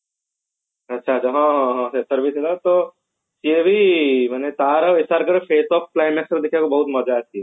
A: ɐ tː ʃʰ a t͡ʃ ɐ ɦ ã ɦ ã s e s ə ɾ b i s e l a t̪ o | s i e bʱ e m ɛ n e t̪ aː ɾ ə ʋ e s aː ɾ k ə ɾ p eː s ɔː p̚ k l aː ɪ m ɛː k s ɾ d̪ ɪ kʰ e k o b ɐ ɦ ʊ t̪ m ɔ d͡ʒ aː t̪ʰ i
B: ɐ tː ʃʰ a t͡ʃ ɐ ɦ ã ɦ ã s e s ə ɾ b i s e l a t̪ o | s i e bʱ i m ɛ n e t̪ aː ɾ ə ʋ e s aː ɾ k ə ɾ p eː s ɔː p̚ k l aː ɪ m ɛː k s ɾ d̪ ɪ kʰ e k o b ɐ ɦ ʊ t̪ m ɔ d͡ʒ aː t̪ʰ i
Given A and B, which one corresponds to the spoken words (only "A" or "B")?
B